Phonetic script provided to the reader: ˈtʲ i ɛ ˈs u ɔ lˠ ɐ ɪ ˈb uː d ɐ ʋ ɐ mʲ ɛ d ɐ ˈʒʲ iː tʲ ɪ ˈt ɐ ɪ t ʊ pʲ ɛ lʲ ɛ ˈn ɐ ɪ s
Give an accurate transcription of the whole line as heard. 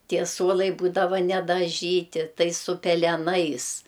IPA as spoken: ˈtʲ i ɛ ˈs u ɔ lˠ ɐ ɪ ˈb uː d ɐ ʋ ɐ nʲ ɛ d ɐ ˈʒʲ iː tʲ ɪ ˈt ɐ ɪ s ʊ pʲ ɛ lʲ ɛ ˈn ɐ ɪ s